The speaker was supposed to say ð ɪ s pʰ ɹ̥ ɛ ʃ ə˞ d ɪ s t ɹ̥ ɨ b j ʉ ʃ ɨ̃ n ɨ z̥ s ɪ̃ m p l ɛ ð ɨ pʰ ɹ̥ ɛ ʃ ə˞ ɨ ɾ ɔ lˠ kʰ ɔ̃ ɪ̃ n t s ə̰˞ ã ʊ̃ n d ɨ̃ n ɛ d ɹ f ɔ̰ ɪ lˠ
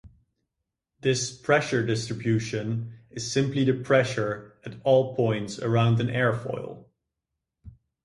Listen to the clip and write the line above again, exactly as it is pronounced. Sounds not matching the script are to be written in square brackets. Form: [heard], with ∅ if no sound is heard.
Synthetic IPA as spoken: ð ɪ s pʰ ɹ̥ ɛ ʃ ə˞ d ɪ s t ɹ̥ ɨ b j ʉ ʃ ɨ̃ n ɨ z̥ s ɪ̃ m p l [i] ð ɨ pʰ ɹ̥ ɛ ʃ ə˞ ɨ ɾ ɔ lˠ [pʰ] ɔ̃ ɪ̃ n t s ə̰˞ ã ʊ̃ n d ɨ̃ n ɛ [∅] ɹ f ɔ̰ ɪ lˠ